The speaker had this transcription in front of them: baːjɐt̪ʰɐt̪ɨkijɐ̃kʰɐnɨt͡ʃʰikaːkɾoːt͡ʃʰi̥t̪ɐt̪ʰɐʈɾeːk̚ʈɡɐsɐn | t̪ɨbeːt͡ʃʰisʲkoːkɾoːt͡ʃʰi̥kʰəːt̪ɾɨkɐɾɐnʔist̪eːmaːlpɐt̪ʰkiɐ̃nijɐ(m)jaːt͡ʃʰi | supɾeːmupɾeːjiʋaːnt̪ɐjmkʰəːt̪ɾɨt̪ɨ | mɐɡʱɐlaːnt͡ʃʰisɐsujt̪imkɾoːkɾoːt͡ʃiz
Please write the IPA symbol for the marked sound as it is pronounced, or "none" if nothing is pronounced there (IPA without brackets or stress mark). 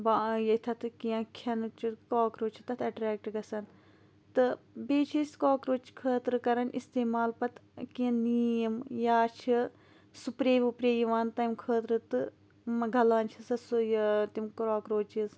m